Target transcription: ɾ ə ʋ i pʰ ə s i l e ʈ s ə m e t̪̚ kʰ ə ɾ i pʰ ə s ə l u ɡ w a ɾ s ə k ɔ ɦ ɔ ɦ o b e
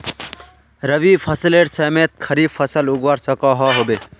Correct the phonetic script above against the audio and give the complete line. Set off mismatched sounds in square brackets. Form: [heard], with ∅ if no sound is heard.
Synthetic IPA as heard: ɾ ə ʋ i pʰ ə s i l e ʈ s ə m e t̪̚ kʰ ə ɾ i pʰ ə s ə l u ɡ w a ɾ s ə k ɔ ɦ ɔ ɦ o b e